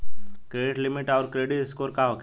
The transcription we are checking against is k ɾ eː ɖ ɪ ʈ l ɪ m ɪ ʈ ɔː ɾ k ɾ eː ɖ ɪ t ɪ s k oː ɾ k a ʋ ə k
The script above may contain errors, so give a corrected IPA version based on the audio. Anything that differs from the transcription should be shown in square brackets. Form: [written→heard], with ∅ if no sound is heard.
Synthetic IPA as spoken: k ɾ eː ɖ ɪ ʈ l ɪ m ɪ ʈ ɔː ɾ k ɾ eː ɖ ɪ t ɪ s k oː ɾ k a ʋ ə k